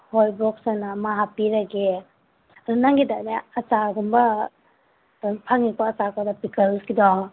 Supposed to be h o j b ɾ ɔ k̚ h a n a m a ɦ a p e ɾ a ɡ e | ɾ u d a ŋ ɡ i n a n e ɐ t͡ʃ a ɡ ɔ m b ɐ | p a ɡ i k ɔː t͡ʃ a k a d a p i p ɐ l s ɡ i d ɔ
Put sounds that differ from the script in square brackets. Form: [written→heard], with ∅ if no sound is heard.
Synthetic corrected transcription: h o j b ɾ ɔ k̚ [h→s] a n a m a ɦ a p [e→i] ɾ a ɡ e | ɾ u [d→n] a ŋ ɡ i [n→d] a n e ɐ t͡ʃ a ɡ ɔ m b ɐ | [p→pʰ] a [ɡ→ŋ] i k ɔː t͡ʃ a k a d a p i [p→k] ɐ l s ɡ i d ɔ